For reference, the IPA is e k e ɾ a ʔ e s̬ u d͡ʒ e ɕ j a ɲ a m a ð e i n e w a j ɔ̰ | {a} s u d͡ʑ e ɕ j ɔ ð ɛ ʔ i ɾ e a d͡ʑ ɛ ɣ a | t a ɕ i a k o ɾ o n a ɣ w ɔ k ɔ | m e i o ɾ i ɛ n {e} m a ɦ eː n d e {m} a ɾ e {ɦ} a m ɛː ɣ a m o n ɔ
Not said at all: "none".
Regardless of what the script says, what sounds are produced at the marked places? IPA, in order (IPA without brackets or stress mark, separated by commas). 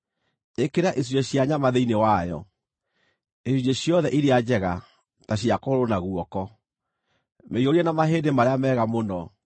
e, a, m, none